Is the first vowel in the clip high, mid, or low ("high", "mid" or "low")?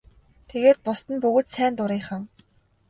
mid